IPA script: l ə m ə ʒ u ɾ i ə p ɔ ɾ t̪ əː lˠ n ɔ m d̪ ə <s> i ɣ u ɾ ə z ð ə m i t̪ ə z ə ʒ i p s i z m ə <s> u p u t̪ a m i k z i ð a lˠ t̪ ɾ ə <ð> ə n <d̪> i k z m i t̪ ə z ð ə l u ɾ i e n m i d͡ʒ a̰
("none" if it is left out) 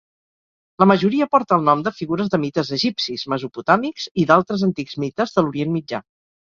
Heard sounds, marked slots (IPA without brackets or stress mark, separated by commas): f, z, z, t̪